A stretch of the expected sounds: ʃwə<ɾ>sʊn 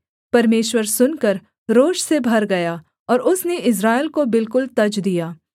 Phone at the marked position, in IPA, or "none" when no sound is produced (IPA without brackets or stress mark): ɾ